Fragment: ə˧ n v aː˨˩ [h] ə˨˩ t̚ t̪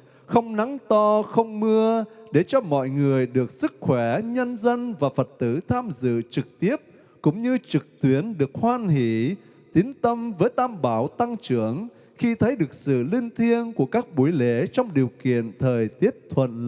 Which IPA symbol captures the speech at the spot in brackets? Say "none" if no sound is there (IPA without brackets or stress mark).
f